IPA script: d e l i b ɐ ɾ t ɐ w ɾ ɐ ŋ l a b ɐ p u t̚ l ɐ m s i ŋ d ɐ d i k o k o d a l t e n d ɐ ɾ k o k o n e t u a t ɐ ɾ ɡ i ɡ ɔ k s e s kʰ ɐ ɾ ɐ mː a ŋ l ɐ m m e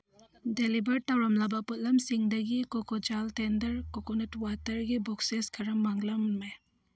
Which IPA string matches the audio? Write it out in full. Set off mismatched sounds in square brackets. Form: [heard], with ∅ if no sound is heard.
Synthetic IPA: d e l i b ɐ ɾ t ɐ w ɾ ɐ [m] l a b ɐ p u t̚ l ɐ m s i ŋ d ɐ [ɡ] i k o k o [d͡ʒ] a l t e n d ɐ ɾ k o k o n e t [w] a t ɐ ɾ ɡ i [b] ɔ k s e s kʰ ɐ ɾ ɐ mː a ŋ l ɐ m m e